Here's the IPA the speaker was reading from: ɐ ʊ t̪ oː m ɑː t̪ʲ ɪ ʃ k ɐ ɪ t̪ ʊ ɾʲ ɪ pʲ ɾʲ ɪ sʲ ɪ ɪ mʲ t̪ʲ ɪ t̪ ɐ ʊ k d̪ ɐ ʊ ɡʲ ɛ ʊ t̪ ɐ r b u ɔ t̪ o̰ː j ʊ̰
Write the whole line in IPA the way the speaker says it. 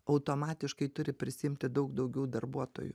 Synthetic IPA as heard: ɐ ʊ t̪ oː m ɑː t̪ʲ ɪ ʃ k ɐ ɪ t̪ ʊ ɾʲ ɪ pʲ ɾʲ ɪ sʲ ɪ ɪ mʲ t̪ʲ ɪ d̪ ɐ ʊ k d̪ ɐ ʊ ɡʲ ɛ ʊ d̪ ɐ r b u ɔ t̪ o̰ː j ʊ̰